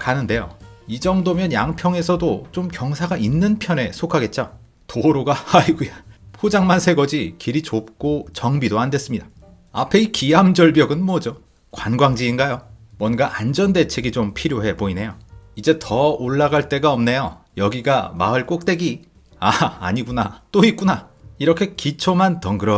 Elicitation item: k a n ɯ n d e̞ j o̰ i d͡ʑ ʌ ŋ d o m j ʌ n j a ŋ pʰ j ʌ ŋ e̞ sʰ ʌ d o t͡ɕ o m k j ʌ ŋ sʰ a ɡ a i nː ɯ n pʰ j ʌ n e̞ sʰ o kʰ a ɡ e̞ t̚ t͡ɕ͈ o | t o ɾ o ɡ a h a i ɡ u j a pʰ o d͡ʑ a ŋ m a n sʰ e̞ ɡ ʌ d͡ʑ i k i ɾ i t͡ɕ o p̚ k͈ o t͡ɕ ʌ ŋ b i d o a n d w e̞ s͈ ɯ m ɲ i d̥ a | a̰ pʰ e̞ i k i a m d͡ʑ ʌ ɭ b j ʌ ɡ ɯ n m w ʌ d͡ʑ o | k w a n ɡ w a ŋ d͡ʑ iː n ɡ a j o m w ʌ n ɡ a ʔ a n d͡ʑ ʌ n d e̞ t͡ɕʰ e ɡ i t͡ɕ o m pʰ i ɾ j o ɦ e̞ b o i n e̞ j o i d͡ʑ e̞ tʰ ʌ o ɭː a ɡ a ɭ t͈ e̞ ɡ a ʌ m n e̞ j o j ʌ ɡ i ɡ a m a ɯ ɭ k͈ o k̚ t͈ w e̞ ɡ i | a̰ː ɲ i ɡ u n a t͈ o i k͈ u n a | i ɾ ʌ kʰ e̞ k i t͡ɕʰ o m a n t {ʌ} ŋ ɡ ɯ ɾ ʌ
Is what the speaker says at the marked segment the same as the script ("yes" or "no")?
yes